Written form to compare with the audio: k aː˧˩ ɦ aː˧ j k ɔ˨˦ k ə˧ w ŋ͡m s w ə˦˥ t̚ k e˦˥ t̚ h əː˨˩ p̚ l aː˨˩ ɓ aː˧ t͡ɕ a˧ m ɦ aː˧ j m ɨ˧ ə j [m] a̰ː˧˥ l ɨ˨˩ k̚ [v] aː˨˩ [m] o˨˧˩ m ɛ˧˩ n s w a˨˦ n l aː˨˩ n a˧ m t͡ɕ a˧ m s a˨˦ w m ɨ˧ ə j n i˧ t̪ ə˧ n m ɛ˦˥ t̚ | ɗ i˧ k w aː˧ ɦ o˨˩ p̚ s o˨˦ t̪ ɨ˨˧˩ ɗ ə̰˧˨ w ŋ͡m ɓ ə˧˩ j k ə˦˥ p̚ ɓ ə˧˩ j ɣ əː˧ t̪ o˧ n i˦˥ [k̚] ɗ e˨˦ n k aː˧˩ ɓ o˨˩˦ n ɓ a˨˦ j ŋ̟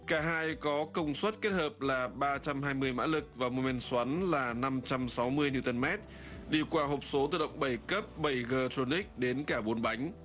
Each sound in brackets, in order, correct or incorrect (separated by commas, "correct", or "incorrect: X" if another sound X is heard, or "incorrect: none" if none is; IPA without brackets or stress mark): correct, correct, correct, correct